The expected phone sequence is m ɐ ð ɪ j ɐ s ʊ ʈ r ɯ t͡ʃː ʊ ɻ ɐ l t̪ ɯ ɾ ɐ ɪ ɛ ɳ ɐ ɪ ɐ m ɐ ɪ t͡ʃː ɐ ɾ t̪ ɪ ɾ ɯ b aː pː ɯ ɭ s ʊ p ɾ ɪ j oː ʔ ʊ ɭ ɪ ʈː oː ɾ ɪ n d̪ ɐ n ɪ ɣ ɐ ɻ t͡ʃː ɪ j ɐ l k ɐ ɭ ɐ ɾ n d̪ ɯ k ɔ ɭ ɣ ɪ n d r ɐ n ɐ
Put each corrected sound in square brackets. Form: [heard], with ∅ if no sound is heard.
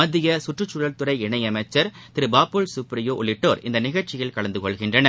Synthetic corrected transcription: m ɐ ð ɪ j ɐ s ʊ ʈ r ɯ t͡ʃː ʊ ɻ ɐ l t̪ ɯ ɾ ɐ ɪ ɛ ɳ ɐ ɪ ɐ m ɐ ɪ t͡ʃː ɐ ɾ t̪ ɪ ɾ ɯ b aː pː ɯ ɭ s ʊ p ɾ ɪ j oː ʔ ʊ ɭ ɪ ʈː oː ɾ ɪ n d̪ ɐ n ɪ ɣ ɐ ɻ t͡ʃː ɪ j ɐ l k ɐ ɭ ɐ [∅] n d̪ ɯ k ɔ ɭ ɣ ɪ n d r ɐ n ɐ